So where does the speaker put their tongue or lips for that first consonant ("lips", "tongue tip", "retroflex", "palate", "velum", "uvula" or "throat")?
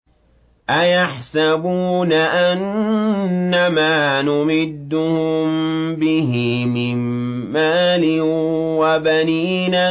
throat